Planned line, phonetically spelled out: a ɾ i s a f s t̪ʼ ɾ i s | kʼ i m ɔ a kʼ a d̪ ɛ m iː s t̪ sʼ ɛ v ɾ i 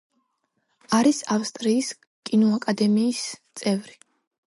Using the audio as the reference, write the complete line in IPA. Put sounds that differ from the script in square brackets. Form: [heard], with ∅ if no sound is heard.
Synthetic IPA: a ɾ i s a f s t̪ʼ ɾ [iː] s | kʼ i [n] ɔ a kʼ a d̪ ɛ m iː s t̪ sʼ ɛ v ɾ i